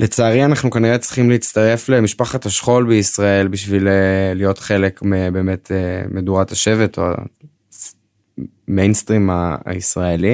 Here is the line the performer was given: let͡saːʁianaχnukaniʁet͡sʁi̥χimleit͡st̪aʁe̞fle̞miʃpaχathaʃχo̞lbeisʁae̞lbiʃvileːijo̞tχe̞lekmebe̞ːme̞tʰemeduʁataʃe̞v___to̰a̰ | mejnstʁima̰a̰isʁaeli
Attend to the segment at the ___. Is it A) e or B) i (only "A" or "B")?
A